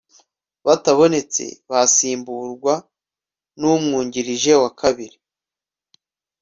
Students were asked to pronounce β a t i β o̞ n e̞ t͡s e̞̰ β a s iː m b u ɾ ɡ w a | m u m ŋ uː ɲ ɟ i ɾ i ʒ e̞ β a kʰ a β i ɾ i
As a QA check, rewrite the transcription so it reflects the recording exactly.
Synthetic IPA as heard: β a t a β o̞ n e̞ t͡s e̞̰ β a s iː m b u ɾ ɡ w a | n u m ŋ uː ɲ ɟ i ɾ i ʒ e̞ w a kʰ a β i ɾ i